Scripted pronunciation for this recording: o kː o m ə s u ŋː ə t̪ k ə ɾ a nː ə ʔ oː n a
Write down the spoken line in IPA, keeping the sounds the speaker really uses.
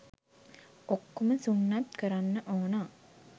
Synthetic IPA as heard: o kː o m ə s u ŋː a t̪ k ə ɾ a nː ə ʔ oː n a